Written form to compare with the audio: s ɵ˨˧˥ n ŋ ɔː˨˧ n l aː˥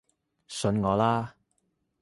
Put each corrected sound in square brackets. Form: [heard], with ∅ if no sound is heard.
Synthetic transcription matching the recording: s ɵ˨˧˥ n ŋ ɔː˨˧ [∅] l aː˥